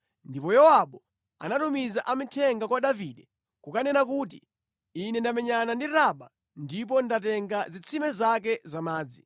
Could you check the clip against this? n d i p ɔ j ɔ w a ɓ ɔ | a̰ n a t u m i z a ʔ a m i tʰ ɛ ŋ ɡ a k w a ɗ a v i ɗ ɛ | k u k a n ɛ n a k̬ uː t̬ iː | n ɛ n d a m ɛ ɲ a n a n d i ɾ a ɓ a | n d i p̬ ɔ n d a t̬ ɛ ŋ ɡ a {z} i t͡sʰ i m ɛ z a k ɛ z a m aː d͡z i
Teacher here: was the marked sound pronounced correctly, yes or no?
yes